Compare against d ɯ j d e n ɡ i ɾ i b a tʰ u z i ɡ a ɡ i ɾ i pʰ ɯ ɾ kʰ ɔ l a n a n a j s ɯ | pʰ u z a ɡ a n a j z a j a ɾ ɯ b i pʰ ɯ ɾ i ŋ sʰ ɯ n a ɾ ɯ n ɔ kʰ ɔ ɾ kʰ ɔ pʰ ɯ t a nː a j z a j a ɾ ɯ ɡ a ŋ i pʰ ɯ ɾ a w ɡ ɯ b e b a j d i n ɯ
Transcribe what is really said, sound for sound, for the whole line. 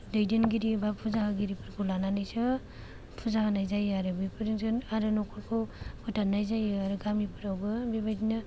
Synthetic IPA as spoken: d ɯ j d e n ɡ i ɾ i b a pʰ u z a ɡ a ɡ i ɾ i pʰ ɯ ɾ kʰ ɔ l a n a n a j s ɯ | pʰ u z a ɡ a n a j z a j a ɾ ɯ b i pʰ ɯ ɾ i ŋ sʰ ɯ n a ɾ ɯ n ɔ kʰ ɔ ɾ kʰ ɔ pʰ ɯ t a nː a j z a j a ɾ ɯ ɡ a m i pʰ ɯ ɾ a w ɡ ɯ b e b a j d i n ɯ